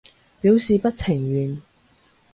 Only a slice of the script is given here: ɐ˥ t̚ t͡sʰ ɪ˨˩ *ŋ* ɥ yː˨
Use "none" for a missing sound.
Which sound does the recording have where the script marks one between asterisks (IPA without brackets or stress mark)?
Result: ŋ